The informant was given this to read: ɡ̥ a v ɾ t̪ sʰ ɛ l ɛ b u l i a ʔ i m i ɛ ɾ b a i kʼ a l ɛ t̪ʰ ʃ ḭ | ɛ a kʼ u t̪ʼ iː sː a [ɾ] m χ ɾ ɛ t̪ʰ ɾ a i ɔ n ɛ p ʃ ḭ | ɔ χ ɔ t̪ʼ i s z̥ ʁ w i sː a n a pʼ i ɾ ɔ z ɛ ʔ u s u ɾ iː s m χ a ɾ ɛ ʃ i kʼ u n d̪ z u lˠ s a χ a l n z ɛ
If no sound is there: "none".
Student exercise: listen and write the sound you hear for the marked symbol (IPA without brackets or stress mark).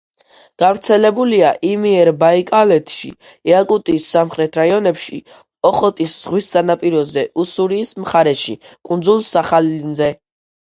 none